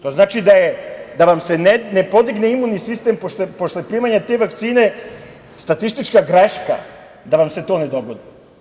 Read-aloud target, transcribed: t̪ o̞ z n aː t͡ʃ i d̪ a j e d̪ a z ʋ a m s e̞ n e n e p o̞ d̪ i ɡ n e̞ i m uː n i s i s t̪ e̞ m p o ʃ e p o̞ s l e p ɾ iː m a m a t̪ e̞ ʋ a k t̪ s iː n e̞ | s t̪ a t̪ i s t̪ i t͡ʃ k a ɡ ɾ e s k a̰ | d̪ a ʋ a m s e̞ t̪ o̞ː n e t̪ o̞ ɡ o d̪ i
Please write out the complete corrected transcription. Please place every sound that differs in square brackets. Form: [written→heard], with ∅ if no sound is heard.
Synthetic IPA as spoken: t̪ o̞ z n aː t͡ʃ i d̪ a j e d̪ a [z→∅] ʋ a m s e̞ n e n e p o̞ d̪ i ɡ n e̞ i m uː n i s i s t̪ e̞ m p o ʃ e p o̞ s l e p ɾ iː m a [m→ɲ] a t̪ e̞ ʋ a k t̪ s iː n e̞ | s t̪ a t̪ i s t̪ i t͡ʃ k a ɡ ɾ e [s→ʃ] k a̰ | d̪ a ʋ a m s e̞ t̪ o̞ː n e [t̪→d̪] o̞ ɡ o d̪ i